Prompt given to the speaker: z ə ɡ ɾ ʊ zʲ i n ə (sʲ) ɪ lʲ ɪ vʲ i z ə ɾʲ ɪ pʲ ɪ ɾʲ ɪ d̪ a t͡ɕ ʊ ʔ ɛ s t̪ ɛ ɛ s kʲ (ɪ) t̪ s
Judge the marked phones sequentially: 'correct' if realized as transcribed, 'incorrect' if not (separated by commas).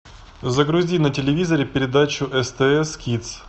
incorrect, incorrect